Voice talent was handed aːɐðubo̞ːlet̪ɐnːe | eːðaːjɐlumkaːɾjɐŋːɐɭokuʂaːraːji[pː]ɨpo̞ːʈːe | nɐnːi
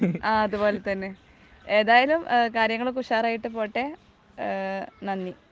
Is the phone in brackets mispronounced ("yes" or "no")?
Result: yes